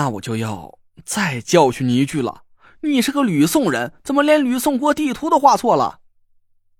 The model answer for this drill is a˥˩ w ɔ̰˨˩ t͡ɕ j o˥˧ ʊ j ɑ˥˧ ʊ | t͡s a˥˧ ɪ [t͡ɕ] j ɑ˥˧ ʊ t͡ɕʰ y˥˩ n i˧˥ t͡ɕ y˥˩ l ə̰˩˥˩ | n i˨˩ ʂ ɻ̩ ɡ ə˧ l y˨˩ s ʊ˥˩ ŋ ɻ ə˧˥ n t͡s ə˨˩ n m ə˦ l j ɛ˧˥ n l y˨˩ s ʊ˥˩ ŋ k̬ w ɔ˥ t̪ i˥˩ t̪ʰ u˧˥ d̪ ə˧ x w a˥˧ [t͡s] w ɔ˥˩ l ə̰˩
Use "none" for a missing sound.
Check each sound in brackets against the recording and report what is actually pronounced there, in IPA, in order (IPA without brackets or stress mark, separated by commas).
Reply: t͡ɕ, t͡sʰ